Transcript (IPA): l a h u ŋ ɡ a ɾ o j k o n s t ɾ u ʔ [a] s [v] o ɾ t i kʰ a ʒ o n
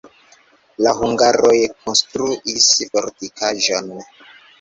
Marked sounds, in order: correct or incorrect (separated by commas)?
incorrect, incorrect